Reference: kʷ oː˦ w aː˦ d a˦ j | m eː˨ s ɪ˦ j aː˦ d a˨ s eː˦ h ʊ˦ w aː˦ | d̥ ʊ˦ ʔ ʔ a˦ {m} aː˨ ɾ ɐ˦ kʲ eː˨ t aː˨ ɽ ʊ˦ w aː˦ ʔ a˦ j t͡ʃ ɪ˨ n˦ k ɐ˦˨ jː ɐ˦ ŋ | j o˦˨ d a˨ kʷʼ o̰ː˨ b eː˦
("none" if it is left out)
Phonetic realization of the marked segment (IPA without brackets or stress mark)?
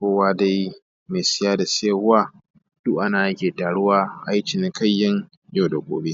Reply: n